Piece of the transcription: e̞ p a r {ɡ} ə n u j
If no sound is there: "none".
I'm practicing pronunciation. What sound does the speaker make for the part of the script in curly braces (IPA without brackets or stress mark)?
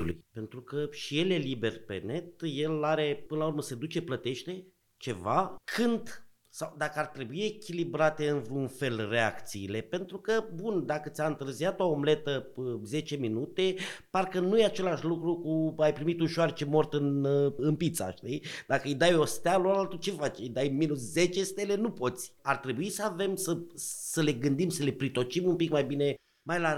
k